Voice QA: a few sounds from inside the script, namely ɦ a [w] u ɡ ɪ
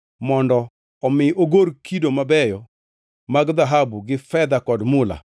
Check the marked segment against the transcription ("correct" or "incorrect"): incorrect